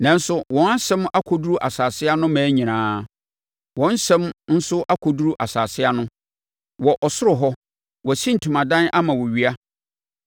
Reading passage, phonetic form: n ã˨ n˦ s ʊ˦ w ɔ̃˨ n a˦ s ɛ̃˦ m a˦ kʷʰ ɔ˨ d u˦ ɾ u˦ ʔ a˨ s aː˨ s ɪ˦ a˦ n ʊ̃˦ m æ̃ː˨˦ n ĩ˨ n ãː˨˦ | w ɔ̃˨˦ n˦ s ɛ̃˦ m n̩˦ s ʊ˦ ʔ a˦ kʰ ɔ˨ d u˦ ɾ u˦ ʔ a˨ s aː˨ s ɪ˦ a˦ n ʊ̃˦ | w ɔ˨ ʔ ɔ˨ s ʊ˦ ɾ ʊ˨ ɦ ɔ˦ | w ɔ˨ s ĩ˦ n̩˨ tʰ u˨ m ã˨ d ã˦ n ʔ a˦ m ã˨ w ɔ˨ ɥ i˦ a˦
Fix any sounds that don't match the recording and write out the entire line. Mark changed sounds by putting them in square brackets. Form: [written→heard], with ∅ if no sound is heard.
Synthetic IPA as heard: n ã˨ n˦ s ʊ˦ w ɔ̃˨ n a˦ s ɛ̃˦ m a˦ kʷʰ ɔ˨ d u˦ ɾ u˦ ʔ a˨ s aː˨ s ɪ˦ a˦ n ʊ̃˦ m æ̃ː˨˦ [n→ɲ] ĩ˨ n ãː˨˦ | w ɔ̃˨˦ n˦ s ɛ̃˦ m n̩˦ s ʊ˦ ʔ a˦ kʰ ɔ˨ d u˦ ɾ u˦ ʔ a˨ s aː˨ s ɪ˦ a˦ n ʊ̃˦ | w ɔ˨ ʔ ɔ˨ s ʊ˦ ɾ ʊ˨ ɦ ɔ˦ | w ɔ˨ s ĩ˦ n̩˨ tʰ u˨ m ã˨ d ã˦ n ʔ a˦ m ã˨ w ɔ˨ ɥ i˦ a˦